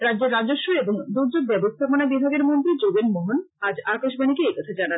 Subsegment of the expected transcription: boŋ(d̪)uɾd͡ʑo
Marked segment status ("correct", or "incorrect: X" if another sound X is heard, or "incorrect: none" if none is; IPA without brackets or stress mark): correct